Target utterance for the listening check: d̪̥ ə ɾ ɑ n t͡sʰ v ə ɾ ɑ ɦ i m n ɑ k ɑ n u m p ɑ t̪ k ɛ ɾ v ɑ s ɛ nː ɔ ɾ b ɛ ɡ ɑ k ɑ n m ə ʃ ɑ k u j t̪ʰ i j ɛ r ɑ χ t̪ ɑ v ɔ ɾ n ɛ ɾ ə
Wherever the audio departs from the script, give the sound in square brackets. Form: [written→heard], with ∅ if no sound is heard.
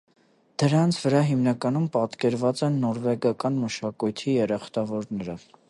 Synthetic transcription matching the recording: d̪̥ ə ɾ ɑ n t͡sʰ v ə ɾ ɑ ɦ i m n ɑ k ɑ n u m p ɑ t̪ k ɛ ɾ v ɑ [s→t͡s] ɛ nː ɔ ɾ [b→v] ɛ ɡ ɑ k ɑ n m ə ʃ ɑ k u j t̪ʰ i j ɛ [r→ɾ] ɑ χ t̪ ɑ v ɔ ɾ n ɛ ɾ ə